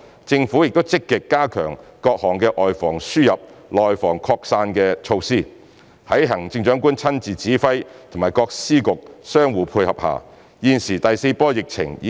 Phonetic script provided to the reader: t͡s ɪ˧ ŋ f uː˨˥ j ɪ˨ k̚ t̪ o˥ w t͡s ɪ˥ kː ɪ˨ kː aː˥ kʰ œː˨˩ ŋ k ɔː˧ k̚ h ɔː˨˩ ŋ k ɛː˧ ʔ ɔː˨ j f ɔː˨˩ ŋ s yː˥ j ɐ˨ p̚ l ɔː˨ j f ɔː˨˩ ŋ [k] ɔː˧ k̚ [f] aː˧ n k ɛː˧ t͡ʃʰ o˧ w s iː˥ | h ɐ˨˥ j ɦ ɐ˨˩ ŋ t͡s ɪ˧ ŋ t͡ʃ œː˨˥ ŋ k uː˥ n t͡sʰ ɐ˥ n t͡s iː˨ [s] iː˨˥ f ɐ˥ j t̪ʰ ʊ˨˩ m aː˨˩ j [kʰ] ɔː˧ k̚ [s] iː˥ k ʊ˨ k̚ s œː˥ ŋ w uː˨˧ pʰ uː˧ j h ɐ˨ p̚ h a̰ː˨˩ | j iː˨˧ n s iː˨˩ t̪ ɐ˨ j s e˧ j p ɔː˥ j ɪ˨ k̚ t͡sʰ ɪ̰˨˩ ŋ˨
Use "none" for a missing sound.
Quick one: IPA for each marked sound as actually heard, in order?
kʰ, s, t͡s, k, s

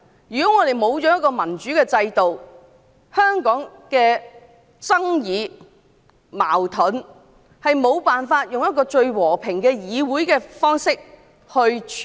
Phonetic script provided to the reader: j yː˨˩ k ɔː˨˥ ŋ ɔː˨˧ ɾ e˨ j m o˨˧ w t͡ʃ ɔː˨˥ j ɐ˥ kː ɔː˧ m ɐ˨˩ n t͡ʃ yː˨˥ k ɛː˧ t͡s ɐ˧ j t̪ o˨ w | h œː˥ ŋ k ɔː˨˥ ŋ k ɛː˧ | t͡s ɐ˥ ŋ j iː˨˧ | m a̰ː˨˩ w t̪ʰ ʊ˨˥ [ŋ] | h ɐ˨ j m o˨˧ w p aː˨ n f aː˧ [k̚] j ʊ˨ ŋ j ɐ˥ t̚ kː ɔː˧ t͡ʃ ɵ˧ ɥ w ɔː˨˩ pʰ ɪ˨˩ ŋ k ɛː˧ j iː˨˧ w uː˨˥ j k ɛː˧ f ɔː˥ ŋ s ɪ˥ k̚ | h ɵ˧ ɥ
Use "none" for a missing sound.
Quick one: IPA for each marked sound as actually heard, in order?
n, t̚

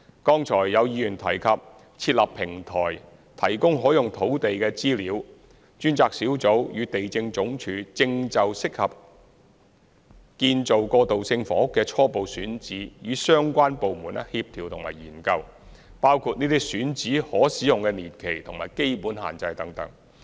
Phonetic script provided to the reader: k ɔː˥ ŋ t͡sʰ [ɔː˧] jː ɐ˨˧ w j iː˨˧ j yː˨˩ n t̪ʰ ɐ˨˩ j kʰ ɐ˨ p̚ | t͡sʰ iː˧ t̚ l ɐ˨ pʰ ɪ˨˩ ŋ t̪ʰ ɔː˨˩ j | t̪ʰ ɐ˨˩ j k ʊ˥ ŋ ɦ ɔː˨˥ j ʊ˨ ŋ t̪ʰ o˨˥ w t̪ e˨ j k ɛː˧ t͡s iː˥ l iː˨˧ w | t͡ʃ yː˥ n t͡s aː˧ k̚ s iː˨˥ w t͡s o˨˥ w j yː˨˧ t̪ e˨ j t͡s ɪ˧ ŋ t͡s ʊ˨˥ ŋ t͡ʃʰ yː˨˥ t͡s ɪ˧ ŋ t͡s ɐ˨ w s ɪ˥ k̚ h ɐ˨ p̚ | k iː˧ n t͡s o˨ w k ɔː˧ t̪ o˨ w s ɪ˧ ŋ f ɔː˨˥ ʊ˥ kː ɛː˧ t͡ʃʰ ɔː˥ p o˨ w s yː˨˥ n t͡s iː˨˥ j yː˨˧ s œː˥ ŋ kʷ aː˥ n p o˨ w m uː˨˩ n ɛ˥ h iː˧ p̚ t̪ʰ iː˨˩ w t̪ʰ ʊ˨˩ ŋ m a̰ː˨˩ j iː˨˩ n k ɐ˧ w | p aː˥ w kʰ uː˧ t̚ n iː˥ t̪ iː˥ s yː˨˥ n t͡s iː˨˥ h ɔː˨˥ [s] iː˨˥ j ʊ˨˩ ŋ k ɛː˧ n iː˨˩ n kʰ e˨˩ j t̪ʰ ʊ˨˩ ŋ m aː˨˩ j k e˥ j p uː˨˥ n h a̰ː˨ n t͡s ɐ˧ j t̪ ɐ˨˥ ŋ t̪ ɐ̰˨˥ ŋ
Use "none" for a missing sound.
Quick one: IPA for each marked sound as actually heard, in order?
ɔː˨˩, s

